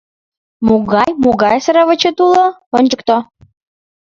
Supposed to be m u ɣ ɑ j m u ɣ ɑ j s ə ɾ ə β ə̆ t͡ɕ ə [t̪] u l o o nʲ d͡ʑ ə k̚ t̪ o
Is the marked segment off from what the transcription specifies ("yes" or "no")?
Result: no